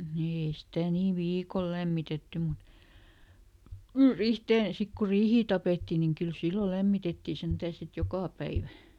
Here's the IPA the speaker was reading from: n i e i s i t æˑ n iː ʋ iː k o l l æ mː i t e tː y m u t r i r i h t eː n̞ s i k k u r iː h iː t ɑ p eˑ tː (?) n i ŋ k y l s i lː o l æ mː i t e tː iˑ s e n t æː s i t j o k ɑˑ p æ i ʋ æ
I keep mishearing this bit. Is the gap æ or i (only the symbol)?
i